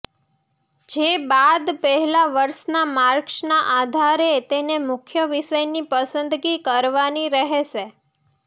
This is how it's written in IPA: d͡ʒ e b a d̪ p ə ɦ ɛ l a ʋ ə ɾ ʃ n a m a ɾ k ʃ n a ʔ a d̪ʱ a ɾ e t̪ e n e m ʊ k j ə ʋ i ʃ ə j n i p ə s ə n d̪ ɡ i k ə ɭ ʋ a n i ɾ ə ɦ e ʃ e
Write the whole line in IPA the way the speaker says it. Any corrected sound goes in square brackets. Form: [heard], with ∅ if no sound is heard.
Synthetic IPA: d͡ʒ e b a d̪ p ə ɦ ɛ l a ʋ ə ɾ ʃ n a m a ɾ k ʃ n a ʔ a d̪ʱ a ɾ e t̪ e n e m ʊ [kʰ] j ə ʋ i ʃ ə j n i p ə s ə n d̪ ɡ i k ə [ɾ] ʋ a n i ɾ ə ɦ e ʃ e